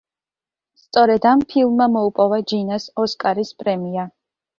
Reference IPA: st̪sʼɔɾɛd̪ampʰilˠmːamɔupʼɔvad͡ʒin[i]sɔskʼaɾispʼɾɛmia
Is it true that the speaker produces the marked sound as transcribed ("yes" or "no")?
no